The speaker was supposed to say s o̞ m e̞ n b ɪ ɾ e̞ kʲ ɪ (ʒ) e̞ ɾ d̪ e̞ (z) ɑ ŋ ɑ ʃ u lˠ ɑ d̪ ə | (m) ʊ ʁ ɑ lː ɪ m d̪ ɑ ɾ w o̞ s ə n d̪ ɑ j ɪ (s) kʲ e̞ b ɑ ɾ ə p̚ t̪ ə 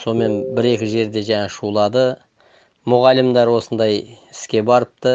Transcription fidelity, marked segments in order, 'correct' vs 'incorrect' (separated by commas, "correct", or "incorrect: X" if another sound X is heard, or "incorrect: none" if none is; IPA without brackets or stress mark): correct, incorrect: ʒ, correct, correct